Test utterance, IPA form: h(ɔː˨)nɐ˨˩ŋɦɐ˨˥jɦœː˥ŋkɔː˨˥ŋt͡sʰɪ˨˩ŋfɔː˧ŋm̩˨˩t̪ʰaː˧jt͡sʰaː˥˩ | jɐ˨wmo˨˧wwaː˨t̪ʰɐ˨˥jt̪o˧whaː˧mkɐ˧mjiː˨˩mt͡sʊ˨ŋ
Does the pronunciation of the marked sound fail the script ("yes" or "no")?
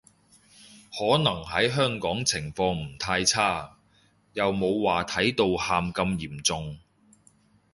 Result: yes